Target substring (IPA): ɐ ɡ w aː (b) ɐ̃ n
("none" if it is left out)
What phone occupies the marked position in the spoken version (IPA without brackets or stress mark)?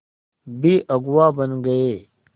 b